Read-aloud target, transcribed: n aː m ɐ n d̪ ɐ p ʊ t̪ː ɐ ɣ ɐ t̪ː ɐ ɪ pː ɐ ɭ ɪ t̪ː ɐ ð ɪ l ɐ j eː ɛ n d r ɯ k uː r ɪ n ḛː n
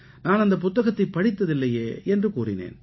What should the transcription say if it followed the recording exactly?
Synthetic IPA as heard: n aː n ɐ n d̪ ɐ p ʊ t̪ː ɐ ɣ ɐ t̪ː ɐ ɪ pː ɐ ɽ ɪ t̪ː ɐ ð ɪ lː ɐ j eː ɛ n d r ɯ k uː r ɪ n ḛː n